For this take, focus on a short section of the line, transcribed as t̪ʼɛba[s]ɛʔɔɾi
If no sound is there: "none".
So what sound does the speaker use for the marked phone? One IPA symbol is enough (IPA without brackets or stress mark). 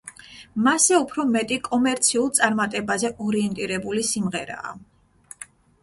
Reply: z